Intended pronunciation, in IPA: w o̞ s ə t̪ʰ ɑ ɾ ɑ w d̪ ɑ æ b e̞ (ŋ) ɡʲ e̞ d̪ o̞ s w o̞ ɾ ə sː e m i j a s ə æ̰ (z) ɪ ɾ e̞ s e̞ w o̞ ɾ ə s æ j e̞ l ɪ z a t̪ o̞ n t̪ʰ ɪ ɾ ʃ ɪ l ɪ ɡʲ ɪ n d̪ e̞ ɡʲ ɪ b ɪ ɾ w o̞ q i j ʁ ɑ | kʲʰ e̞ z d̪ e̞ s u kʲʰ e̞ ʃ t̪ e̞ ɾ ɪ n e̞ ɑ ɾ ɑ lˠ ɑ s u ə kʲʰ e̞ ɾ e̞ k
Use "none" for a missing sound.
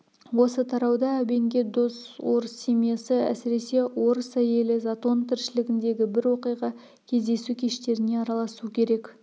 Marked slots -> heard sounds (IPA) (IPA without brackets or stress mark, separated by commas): ŋ, s